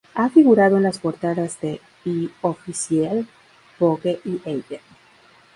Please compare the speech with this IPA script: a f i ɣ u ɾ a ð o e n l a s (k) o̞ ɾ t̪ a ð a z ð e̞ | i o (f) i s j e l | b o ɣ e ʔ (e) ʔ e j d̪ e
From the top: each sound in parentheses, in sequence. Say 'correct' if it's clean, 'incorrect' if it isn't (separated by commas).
incorrect, correct, incorrect